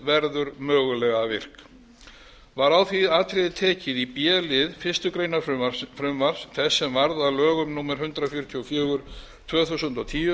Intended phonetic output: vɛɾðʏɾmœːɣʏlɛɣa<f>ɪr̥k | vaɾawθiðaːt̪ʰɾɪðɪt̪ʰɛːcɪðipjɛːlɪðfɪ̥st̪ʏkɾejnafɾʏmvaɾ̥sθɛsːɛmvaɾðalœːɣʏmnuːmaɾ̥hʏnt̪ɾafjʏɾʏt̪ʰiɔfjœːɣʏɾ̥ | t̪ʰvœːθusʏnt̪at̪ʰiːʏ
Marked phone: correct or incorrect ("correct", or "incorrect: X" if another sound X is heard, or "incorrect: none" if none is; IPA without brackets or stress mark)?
incorrect: v